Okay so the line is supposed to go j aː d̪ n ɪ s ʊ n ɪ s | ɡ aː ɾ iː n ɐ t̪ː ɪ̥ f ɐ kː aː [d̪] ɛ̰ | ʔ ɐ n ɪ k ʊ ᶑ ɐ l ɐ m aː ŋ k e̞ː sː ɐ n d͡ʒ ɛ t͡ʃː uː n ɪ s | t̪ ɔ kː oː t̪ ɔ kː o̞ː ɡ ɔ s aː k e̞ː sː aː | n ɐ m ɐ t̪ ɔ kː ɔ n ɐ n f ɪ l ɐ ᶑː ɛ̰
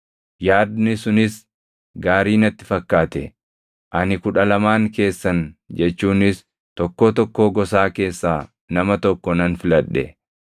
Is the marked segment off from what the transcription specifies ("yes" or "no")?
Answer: yes